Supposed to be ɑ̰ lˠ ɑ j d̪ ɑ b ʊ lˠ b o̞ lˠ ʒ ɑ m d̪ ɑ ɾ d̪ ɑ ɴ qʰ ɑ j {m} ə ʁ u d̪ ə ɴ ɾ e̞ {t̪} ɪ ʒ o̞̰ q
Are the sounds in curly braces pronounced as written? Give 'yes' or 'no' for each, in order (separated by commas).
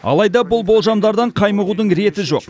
yes, yes